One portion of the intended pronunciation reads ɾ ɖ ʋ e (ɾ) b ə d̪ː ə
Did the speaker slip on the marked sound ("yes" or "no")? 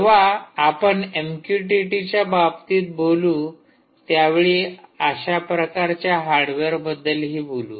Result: no